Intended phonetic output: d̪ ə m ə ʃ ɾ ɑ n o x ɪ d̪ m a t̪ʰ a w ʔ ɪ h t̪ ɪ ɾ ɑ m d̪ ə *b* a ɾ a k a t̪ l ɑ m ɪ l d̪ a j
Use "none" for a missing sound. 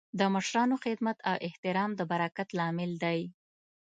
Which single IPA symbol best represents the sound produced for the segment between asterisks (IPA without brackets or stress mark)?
b